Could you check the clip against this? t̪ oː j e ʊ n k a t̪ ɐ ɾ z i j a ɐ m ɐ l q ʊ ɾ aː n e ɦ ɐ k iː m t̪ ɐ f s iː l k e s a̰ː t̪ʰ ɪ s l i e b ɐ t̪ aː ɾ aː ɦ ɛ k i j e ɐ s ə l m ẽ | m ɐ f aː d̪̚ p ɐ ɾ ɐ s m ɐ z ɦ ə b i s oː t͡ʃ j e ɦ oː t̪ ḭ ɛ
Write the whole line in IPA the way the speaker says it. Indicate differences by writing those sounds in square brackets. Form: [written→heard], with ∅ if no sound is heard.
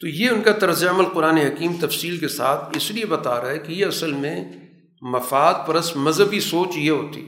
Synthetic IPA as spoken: t̪ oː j e ʊ n k a t̪ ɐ ɾ z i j a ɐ m [ɐ→ə] l q ʊ ɾ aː n e ɦ ɐ k iː m t̪ ɐ f s iː l k e s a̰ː t̪ʰ ɪ s l i e b ɐ t̪ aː ɾ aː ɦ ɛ k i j e ɐ s ə l m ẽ | m ɐ f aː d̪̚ p ɐ ɾ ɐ s m ɐ z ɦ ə b i s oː t͡ʃ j e ɦ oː t̪ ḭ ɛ